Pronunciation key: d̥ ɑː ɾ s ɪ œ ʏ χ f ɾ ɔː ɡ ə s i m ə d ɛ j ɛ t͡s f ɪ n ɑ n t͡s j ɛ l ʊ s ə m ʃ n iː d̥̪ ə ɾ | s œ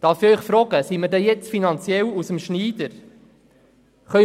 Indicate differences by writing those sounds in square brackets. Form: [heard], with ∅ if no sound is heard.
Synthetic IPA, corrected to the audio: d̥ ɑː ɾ [f] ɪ œ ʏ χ f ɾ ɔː ɡ ə s i m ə d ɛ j ɛ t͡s f [i] n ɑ n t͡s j ɛ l [u] s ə m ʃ n iː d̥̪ ə ɾ | [χ] œ

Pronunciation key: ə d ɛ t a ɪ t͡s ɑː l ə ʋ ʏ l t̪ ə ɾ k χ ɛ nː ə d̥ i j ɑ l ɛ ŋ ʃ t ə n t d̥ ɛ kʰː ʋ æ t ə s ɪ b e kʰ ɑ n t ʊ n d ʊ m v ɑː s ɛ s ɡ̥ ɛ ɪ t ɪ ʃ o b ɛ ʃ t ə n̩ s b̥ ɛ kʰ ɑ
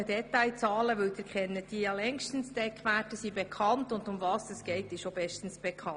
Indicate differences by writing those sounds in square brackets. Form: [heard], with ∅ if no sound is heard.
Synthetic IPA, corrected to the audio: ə d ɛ t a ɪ t͡s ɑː l ə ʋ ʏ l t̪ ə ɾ k χ ɛ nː ə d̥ i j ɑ l ɛ ŋ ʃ t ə n [s] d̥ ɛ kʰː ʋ æ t ə s [i] b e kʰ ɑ n t ʊ n d ʊ m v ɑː s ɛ s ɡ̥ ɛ ɪ t ɪ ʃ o b ɛ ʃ t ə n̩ s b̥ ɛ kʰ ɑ

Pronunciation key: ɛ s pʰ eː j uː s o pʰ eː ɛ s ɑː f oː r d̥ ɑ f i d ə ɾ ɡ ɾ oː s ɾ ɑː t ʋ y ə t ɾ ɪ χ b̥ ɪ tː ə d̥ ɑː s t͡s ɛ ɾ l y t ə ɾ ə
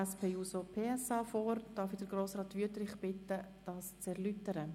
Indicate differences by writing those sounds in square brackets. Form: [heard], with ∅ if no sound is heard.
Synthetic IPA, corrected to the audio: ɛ s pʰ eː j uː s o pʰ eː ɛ s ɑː f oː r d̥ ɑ f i d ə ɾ ɡ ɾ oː s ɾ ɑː t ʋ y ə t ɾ ɪ χ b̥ ɪ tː ə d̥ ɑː s t͡s ɛ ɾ l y t ə ɾ ə

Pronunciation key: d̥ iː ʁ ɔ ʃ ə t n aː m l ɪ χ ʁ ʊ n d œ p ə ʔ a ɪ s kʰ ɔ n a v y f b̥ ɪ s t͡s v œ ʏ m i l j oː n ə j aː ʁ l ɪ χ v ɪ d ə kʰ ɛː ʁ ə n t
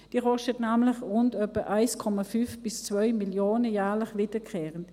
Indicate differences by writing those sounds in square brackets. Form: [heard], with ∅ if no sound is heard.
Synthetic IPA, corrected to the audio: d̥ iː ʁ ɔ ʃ ə t n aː m l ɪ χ ʁ ʊ n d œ p ə ʔ a ɪ s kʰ ɔ [m] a [f] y f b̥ ɪ s t͡s v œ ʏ m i l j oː n ə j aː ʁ l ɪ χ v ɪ d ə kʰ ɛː ʁ ə n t

